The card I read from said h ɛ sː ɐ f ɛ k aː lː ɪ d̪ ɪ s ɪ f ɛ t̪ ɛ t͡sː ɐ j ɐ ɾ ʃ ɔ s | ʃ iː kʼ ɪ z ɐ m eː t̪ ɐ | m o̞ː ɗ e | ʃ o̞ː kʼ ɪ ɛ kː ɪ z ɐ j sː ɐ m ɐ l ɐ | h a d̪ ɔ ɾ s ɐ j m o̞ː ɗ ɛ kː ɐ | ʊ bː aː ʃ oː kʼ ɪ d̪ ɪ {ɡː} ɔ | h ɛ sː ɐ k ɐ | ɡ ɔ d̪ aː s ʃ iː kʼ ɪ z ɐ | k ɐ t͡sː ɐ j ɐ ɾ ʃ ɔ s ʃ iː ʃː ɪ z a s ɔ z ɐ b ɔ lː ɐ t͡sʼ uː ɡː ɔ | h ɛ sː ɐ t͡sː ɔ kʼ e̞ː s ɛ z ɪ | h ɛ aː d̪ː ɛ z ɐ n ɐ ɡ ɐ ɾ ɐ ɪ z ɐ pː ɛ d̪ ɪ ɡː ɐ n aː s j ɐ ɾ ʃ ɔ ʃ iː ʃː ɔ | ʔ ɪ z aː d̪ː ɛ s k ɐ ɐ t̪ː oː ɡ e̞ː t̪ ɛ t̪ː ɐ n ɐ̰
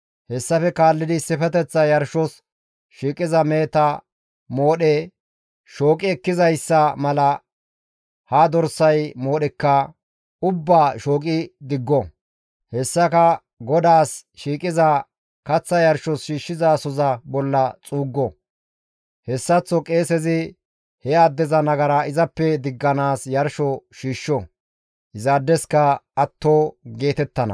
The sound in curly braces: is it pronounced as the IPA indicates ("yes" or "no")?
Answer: yes